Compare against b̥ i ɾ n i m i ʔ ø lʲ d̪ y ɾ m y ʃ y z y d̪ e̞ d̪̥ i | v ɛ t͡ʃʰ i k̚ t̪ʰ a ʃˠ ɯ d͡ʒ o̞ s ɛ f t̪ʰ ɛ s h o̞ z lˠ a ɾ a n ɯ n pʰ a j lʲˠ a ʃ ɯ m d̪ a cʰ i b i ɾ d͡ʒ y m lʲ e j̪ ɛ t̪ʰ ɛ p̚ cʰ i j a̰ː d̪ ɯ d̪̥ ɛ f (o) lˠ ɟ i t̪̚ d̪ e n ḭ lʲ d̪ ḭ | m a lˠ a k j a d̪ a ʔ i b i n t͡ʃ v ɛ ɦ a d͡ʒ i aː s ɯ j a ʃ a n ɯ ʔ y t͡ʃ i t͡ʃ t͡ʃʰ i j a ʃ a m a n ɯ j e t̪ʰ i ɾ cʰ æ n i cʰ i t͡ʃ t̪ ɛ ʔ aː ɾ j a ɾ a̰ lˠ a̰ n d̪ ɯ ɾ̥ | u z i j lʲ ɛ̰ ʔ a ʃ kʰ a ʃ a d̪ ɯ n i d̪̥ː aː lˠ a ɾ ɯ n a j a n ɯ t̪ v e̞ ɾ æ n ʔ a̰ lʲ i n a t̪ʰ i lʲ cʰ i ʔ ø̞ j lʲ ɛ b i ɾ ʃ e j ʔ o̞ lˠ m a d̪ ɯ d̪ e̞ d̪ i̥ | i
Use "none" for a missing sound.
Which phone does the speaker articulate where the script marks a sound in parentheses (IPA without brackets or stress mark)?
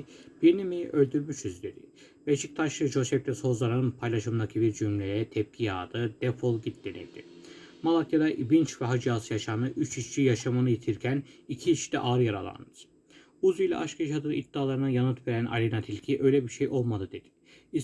o